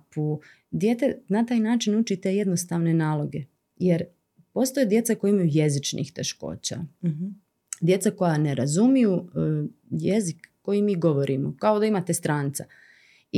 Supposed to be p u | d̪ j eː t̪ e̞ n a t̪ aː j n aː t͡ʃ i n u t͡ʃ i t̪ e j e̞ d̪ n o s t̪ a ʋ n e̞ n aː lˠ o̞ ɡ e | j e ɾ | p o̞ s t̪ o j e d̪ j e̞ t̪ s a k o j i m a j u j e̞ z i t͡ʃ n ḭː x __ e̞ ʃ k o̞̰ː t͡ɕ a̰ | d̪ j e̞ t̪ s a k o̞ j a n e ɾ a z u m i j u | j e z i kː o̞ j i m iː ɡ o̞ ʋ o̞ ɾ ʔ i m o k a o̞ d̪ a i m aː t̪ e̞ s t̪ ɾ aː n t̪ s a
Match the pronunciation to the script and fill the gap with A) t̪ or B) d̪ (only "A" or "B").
A